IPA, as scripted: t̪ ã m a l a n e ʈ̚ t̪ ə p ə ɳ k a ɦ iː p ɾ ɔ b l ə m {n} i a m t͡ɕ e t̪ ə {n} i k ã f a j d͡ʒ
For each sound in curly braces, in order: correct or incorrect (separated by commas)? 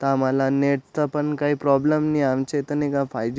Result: correct, correct